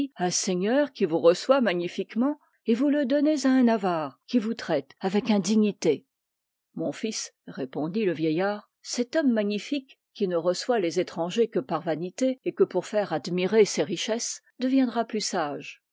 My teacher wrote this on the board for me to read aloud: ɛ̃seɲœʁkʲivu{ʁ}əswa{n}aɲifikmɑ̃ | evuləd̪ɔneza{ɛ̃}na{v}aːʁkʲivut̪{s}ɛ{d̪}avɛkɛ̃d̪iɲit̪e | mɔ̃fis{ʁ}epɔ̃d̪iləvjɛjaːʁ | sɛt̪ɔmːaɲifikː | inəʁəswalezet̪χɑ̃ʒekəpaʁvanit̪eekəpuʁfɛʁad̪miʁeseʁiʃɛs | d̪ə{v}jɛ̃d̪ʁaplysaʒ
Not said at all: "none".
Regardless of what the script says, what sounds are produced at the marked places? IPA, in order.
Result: ʁ, m, ɛ̃, v, χ, t̪, ʁ, v

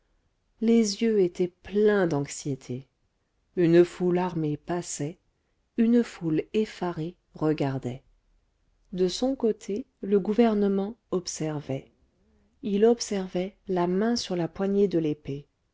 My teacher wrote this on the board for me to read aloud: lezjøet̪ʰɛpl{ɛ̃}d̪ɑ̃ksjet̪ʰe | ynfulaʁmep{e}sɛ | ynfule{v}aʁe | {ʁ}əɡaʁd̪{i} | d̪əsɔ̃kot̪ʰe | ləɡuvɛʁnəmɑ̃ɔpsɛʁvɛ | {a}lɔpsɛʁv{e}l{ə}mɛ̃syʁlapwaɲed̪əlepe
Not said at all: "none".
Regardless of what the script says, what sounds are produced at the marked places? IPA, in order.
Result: ɛ̃, a, f, ʁ, ɛ, i, ɛ, a

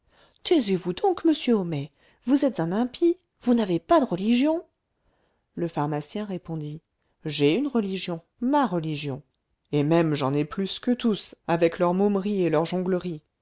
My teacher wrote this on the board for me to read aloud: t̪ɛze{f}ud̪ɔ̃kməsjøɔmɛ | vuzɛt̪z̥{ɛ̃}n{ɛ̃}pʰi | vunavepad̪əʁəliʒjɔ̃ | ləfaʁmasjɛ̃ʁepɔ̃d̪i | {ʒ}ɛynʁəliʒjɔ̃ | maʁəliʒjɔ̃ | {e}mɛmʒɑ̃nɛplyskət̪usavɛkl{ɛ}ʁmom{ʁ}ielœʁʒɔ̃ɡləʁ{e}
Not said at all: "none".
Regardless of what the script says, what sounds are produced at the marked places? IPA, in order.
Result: v, ɛ̃, ɛ̃, ʒ, e, œ, ʁ, i

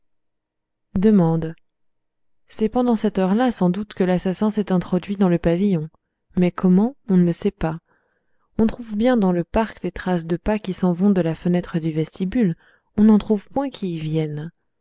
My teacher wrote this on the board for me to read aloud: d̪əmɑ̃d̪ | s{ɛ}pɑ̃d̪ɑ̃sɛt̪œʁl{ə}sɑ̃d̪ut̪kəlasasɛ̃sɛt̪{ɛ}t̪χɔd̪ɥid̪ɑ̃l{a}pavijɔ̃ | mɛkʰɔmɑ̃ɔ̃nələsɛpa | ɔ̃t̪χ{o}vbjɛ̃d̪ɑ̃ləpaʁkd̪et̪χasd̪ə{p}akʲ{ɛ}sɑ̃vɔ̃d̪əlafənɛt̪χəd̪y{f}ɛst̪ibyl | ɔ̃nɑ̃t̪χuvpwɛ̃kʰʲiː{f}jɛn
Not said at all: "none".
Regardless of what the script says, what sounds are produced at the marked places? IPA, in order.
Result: ɛ, a, ɛ̃, ə, u, p, i, v, v

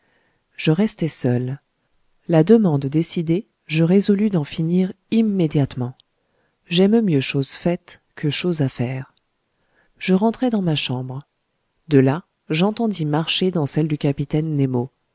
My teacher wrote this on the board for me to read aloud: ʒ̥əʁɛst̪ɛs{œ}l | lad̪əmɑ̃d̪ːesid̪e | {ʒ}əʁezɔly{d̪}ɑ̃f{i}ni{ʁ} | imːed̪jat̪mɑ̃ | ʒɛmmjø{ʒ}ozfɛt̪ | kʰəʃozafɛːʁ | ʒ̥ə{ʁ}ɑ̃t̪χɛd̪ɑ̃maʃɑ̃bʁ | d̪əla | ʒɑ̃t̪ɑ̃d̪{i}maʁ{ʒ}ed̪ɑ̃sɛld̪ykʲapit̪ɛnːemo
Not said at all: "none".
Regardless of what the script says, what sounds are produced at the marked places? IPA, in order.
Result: œ, ʒ, d̪, i, ʁ, ʃ, ʁ, i, ʃ

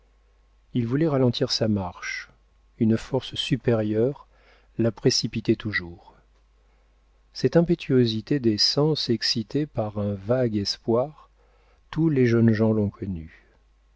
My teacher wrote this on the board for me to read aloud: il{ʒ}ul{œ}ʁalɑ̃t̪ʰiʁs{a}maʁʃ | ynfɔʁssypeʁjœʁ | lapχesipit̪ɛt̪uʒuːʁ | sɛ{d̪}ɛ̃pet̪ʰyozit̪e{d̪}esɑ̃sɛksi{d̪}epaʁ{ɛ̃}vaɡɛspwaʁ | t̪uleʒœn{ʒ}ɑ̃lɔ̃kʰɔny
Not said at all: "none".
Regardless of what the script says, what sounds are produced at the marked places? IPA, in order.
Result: v, ɛ, a, t̪, d̪, t̪, ɛ̃, ʒ

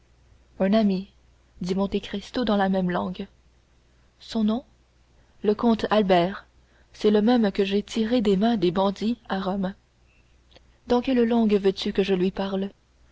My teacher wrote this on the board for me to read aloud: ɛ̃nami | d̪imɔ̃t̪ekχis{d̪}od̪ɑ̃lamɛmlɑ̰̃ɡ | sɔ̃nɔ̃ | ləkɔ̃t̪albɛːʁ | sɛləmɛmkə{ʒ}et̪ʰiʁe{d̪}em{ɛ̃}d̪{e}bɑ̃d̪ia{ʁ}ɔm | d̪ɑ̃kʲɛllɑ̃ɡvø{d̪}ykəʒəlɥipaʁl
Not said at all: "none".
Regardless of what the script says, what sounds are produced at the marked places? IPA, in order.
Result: t̪, ʒ, d̪, ɛ̃, e, ʁ, t̪

